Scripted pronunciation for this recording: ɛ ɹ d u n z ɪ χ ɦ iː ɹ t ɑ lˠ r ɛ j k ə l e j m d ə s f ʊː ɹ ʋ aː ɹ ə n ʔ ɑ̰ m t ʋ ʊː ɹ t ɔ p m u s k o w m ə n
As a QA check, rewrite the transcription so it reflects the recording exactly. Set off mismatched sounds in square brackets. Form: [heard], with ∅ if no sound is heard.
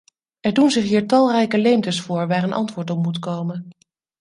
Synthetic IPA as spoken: ɛ ɹ d u n z ɪ χ ɦ iː ɹ t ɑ lˠ r ɛ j k ə l e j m [t] ə s f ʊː ɹ ʋ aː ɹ ə n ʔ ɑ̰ [n] t ʋ ʊː ɹ t ɔ p m u [t] k o w m ə n